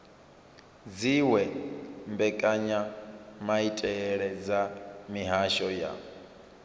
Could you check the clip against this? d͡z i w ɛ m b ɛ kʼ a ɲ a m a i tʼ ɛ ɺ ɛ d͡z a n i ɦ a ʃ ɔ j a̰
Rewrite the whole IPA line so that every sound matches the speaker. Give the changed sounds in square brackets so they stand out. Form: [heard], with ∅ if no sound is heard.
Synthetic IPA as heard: d͡z i w ɛ m b ɛ kʼ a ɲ a m a i tʼ ɛ ɺ ɛ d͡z a [m] i ɦ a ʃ ɔ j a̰